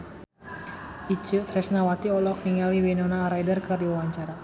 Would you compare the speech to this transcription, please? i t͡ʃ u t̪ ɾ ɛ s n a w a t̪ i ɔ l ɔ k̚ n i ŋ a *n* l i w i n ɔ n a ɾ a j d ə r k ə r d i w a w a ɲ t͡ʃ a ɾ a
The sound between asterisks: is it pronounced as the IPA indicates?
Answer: no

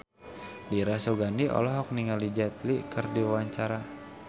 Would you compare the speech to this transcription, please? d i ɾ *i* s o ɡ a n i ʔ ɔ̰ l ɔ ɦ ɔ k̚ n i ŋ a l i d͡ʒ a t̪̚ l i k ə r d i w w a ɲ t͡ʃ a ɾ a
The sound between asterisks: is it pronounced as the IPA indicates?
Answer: no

